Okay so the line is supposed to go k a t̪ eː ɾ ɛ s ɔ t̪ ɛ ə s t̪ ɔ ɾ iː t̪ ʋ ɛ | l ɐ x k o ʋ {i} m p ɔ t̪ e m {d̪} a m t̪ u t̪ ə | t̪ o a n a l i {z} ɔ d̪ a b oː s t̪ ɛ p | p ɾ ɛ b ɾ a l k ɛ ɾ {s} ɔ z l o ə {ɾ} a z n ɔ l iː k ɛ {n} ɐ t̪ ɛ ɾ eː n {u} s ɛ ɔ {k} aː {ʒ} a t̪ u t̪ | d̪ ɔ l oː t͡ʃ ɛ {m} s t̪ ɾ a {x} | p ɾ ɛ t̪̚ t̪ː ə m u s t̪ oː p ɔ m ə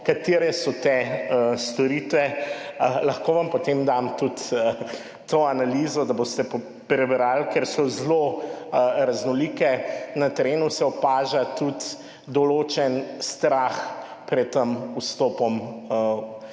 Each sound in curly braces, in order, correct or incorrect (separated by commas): incorrect, correct, correct, correct, correct, correct, correct, incorrect, correct, incorrect, correct